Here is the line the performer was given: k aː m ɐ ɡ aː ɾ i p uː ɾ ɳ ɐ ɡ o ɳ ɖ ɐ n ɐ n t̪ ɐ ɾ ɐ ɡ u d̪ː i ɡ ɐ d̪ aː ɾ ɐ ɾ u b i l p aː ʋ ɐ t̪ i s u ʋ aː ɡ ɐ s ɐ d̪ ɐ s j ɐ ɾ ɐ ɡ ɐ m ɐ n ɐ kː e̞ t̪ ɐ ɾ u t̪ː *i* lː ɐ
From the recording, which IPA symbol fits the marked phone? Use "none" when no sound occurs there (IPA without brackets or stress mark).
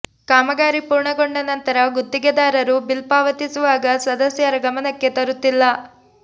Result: i